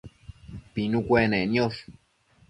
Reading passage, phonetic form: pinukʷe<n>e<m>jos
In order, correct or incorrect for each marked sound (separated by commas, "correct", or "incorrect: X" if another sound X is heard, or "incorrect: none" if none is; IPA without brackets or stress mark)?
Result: correct, incorrect: n